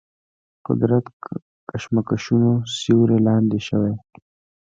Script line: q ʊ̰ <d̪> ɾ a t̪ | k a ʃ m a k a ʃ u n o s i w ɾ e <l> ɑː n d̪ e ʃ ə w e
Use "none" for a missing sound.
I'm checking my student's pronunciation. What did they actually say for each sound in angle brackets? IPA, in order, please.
d̪, l

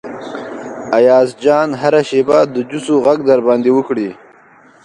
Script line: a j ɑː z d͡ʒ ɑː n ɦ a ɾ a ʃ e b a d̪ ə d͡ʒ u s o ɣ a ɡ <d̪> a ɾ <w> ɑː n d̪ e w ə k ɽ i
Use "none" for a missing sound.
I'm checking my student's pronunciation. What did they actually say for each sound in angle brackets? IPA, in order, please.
d̪, b

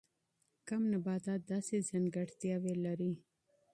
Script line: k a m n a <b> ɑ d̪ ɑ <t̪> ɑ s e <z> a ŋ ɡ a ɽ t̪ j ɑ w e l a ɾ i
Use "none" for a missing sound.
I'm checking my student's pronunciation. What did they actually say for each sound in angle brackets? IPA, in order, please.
b, d̪, z

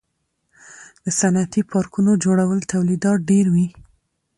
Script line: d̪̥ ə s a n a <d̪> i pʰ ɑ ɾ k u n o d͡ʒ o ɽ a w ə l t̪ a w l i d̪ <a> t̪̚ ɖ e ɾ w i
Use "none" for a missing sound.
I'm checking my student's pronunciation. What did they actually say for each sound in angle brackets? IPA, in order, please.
t̪, ɑ

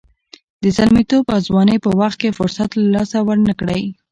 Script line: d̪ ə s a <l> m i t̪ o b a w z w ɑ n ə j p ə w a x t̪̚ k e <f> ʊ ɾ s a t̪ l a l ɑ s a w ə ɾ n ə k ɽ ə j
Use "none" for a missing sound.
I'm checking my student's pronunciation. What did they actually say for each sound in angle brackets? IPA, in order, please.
l, f

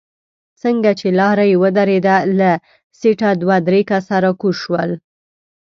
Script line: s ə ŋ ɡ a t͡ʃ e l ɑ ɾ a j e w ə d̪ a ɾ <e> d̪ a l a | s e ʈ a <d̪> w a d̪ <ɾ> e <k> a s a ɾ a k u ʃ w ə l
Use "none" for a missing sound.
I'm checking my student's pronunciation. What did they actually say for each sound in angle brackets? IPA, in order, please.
e, d̪, ɾ, k

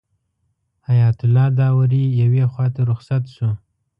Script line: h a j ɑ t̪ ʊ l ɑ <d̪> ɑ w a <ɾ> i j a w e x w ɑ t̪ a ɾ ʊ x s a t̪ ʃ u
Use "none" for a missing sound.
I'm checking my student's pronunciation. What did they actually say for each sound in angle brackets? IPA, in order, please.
d̪, ɾ

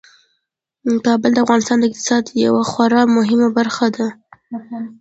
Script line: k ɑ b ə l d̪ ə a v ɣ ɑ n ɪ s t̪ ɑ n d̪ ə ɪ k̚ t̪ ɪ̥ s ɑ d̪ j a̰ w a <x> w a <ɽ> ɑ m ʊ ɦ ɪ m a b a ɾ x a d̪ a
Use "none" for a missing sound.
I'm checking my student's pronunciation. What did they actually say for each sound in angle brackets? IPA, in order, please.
x, ɾ

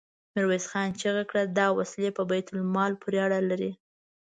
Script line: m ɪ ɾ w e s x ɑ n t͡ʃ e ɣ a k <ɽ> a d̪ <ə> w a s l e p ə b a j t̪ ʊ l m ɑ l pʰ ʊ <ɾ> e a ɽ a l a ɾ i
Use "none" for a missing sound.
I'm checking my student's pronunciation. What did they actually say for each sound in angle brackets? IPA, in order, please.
ɽ, ɑ, ɾ

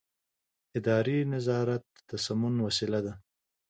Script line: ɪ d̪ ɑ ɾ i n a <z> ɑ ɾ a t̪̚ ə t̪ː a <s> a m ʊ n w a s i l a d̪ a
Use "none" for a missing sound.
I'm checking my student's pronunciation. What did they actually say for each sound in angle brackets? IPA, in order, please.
z, s

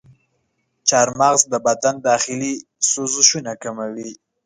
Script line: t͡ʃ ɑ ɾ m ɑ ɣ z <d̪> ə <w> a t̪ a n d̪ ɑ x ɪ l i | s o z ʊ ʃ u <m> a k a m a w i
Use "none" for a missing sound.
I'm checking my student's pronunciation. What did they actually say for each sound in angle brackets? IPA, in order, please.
d̪, b, n

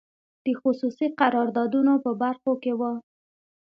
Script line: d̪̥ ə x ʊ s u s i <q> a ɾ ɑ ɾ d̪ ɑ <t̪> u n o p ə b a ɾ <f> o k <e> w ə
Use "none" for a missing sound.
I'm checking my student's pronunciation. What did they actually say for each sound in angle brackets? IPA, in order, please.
q, d̪, x, e

